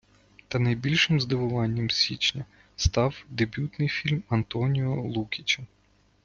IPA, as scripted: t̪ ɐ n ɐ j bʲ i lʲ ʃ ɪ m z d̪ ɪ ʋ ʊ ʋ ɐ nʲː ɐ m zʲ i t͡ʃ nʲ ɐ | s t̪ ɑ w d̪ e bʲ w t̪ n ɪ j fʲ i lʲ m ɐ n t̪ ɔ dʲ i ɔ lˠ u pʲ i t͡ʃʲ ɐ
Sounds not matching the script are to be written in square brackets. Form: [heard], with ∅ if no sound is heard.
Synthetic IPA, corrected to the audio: t̪ ɐ n ɐ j bʲ i lʲ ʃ ɪ m z d̪ ɪ ʋ ʊ ʋ [ɑ] nʲː ɐ m [sʲ] i t͡ʃ nʲ ɐ | s t̪ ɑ w d̪ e bʲ [u] t̪ n ɪ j fʲ i lʲ m ɐ n t̪ ɔ [nʲ] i ɔ lˠ u [kʲ] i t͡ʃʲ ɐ